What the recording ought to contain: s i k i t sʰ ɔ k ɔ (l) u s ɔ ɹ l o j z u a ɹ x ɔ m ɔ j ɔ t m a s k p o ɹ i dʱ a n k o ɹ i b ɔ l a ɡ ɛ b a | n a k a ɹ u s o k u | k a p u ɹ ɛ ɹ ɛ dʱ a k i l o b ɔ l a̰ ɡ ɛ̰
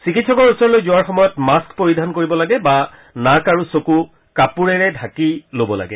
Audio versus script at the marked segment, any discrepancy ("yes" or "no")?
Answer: yes